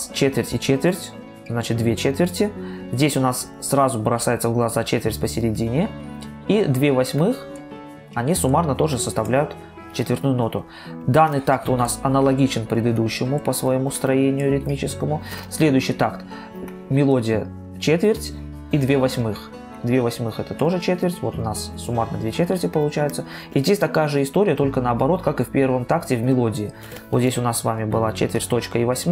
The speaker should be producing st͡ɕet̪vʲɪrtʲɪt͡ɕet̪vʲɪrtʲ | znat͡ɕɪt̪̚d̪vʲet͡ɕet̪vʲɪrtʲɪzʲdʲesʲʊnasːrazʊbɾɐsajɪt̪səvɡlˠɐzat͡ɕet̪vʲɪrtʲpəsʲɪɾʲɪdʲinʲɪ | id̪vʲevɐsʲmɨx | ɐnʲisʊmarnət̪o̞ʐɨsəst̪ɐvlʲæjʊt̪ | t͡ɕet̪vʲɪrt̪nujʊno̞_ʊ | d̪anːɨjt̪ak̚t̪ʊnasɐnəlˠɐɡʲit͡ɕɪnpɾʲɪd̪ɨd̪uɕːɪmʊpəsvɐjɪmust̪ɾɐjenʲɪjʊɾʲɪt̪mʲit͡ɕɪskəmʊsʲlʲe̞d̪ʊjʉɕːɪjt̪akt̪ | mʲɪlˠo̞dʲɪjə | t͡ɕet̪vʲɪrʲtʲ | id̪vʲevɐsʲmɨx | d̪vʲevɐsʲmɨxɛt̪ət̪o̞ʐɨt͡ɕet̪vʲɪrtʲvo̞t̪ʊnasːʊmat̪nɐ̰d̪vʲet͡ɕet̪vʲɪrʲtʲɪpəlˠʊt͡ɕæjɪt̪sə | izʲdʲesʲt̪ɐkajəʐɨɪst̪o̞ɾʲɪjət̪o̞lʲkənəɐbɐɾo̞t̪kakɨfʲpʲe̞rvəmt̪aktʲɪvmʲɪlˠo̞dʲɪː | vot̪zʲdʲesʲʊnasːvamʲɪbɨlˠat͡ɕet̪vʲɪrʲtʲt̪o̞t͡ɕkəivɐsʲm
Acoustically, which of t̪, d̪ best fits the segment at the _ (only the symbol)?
t̪